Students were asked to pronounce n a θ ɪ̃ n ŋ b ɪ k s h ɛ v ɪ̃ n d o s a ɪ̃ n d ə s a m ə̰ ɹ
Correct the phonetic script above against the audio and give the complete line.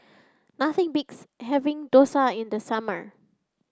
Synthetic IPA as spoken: n a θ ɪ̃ ŋ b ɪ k s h ɛ v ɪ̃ ŋ d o s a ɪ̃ n d ə s a m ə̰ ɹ

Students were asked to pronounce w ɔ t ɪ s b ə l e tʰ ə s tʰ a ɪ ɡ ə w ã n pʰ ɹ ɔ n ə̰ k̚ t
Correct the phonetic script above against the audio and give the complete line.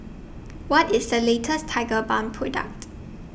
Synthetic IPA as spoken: w ɔ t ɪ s d ə l e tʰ ə s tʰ a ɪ ɡ ə b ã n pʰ ɹ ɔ d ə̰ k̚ t

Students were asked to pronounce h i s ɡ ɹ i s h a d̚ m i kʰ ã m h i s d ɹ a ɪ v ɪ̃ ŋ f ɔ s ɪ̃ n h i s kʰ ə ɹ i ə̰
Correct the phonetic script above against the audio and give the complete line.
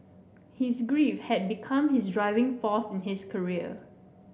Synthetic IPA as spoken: h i s ɡ ɹ i f h ɛ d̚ b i kʰ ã m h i s d ɹ a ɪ v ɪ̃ ŋ f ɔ s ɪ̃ n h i s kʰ ə ɹ i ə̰

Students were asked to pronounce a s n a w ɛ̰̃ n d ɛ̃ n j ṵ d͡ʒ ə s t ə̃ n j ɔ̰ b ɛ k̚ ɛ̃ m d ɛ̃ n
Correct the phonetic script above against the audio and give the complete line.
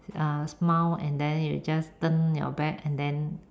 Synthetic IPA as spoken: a s m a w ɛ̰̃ n d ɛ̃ n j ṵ d͡ʒ a s t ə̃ n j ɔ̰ b ɛ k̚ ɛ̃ n d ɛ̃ n

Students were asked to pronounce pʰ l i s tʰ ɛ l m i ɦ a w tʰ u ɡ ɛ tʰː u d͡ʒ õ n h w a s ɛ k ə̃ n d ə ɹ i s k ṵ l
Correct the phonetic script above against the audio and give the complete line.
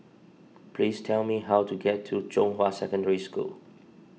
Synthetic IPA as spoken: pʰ l i s tʰ ɛ l m i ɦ a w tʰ u ɡ ɛ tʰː u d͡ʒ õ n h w a s ɛ k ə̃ n d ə ɹ i s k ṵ l

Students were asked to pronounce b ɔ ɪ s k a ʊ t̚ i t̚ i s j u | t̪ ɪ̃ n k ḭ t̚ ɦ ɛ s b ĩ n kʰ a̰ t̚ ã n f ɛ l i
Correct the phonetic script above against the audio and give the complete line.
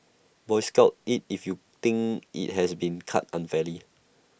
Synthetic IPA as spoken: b ɔ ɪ s k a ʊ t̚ i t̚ i f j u | t̪ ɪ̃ ŋ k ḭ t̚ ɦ ɛ s b ĩ n kʰ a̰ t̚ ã n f ɛ l i

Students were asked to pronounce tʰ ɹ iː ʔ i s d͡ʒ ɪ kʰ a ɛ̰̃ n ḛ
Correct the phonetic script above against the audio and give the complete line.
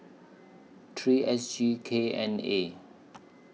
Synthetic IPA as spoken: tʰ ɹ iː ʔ ɛ s d͡ʒ i kʰ e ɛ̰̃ n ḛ

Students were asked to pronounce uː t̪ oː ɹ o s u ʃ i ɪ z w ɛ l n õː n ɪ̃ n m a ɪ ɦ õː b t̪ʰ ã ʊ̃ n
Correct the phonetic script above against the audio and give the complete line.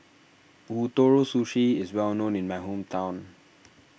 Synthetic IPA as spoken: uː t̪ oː ɹ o s u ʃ i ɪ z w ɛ l n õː n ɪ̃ n m a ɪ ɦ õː m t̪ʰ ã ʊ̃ n

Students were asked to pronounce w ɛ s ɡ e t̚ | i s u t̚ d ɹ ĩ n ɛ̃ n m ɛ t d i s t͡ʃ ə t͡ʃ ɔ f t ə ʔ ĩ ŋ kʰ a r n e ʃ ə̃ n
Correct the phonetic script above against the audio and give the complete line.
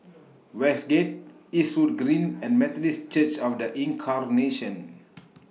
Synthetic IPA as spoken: w ɛ s ɡ e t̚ | i s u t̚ ɡ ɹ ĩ n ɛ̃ n m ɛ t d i s t͡ʃ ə t͡ʃ ɔ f d ə ʔ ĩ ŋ kʰ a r n e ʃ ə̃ n

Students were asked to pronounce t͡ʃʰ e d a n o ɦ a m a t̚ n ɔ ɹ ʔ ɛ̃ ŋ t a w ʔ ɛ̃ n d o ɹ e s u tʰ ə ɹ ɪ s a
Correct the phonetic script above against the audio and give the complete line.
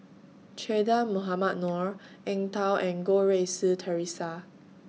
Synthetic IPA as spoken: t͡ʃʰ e d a m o ɦ a m a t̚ n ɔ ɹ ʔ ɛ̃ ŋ t a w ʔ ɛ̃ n ɡ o ɹ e s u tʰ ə ɹ i s a

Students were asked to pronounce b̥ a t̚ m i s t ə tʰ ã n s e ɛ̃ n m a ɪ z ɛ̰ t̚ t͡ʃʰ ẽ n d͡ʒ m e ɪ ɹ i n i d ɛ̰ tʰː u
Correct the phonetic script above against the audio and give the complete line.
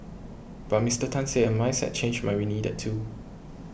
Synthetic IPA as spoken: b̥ a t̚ m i s t ə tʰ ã n s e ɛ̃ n m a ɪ s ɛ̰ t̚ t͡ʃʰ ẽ n d͡ʒ m a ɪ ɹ i n i d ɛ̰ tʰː u

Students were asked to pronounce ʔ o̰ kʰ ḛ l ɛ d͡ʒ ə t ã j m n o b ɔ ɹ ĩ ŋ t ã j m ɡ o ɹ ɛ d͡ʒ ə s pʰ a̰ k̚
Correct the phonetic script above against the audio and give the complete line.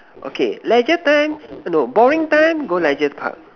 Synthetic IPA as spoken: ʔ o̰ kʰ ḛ l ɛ d͡ʒ ə t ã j m n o b ɔ ɹ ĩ ŋ t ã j m ɡ o l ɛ d͡ʒ ə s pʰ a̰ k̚

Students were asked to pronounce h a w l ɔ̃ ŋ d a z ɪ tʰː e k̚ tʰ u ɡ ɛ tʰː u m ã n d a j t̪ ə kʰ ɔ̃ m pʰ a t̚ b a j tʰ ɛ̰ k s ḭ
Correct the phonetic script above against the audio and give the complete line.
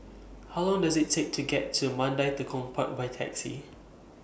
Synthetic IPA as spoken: h a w l ɔ̃ ŋ d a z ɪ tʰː e k̚ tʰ u ɡ ɛ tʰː u m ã n d a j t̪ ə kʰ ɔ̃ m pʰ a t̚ b a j tʰ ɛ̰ k s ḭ

